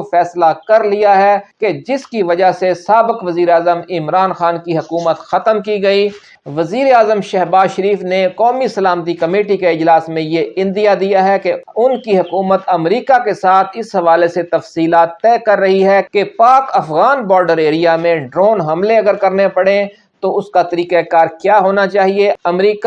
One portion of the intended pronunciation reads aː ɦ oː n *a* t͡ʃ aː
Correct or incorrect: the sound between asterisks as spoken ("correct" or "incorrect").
correct